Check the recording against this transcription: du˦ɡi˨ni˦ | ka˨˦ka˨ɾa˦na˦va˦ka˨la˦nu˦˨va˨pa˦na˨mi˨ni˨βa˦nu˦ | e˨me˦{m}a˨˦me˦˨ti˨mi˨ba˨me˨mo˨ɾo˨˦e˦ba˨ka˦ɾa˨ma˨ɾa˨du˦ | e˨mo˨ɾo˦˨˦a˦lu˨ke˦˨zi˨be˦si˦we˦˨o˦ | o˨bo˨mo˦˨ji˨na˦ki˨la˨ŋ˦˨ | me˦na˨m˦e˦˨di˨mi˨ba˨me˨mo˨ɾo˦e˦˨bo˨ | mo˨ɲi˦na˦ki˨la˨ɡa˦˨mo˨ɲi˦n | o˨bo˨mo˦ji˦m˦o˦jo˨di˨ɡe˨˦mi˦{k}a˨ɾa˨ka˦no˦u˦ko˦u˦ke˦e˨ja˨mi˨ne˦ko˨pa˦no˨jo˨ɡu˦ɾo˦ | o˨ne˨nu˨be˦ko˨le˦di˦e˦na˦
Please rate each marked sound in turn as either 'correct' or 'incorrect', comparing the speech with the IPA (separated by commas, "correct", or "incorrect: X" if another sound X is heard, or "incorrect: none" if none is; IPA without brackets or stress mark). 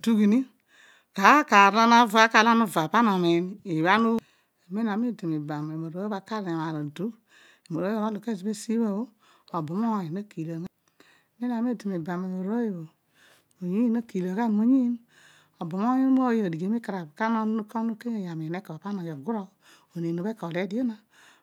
incorrect: n, correct